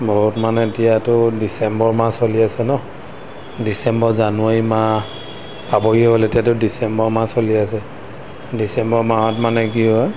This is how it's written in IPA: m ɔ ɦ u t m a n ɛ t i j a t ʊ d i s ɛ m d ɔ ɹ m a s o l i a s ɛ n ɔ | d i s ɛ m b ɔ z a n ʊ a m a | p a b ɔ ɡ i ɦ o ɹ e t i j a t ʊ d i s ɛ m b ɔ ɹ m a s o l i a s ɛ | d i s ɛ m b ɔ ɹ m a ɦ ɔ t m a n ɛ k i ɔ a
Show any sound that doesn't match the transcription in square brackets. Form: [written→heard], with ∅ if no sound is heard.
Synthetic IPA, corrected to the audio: [m→b] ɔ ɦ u t m a n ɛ t i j a t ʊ d i s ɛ m [d→b] ɔ ɹ m a s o l i a s ɛ n ɔ | d i s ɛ m b ɔ z a n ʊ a m a | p a b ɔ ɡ i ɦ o [ɹ→l] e t i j a t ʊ d i s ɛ m b ɔ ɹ m a s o l i a s ɛ | d i s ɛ m b ɔ ɹ m a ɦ ɔ t m a n ɛ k i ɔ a